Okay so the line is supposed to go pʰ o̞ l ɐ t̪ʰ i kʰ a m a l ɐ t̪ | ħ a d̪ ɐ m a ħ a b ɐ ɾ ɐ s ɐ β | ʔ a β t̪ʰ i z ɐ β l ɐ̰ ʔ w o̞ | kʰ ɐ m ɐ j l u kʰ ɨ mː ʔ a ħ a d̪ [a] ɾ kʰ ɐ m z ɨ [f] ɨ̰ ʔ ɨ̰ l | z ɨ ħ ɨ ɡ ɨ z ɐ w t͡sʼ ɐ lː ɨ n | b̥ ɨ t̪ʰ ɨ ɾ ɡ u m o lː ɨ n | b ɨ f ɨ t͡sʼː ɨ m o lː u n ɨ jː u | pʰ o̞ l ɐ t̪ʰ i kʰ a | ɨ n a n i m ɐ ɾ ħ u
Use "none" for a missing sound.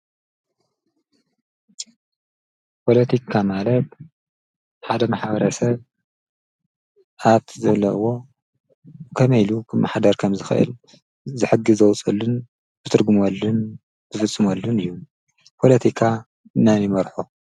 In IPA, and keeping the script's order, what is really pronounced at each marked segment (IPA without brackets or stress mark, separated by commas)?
ɐ, x